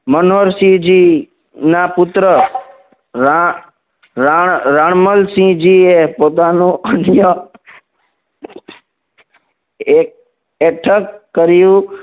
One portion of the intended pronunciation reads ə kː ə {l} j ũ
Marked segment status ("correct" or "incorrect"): incorrect